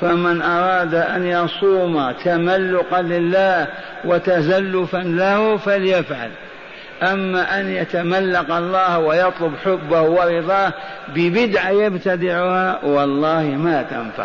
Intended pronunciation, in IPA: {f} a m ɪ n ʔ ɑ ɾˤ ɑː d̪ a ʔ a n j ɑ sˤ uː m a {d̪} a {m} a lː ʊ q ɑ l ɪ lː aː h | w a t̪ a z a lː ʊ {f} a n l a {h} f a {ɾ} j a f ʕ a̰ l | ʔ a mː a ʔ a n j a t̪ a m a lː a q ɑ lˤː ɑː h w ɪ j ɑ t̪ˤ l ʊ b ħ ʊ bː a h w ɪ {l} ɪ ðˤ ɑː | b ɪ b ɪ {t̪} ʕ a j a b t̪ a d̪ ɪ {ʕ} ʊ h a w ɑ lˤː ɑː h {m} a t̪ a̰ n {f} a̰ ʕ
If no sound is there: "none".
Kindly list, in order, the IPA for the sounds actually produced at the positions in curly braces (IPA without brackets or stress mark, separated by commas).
f, t̪, m, f, h, l, ɾ, d̪, ʕ, m, f